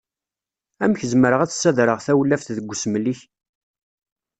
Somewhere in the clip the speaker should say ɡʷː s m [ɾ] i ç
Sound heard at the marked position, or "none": l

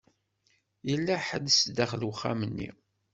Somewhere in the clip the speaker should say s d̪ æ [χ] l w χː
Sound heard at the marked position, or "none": χ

